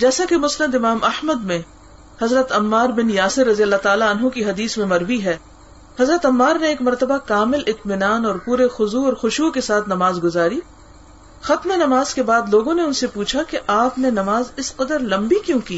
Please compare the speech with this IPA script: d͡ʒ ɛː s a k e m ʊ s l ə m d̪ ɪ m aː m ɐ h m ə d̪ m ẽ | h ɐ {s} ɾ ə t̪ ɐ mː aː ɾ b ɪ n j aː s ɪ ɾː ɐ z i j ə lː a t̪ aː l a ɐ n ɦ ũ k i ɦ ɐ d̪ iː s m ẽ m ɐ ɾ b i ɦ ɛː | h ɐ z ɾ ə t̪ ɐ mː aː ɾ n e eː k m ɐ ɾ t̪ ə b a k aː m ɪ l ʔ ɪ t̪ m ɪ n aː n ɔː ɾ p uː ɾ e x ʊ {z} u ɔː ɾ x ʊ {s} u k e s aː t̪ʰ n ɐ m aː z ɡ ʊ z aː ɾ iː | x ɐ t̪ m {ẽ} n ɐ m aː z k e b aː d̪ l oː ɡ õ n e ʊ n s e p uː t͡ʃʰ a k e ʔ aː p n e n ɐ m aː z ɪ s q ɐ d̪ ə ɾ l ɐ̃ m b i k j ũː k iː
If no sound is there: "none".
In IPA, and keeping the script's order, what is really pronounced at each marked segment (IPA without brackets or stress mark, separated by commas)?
z, z, ʃ, e